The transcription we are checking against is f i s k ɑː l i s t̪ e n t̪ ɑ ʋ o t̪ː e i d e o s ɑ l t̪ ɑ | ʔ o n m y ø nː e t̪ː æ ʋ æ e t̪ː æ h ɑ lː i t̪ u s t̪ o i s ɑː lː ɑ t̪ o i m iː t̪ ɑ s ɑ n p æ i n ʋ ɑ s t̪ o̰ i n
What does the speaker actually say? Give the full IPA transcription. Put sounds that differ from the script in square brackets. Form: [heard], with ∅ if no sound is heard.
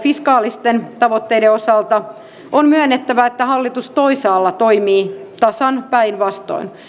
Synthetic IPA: f i s k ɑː l i s t̪ e n t̪ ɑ ʋ o t̪ː e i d e o s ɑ l t̪ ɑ | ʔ o n m y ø nː e t̪ː æ ʋ æ e t̪ː æ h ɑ lː i t̪ u s t̪ o i s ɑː lː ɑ t̪ o i m iː t̪ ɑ s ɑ n p æ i n ʋ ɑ s t̪ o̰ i n